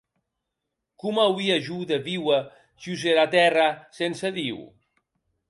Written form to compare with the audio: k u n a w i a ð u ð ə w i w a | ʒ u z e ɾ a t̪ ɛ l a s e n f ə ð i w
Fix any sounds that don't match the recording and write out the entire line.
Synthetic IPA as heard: k u m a w i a ʒ u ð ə β i w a | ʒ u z e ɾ a t̪ ɛ r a s e n s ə ð i w